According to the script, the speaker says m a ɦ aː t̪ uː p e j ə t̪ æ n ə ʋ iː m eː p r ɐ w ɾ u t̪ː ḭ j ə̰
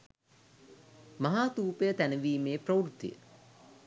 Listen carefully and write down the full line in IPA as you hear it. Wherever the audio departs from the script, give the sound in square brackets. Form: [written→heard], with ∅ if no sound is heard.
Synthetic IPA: m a ɦ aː t̪ uː p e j ə t̪ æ n ə ʋ iː m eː p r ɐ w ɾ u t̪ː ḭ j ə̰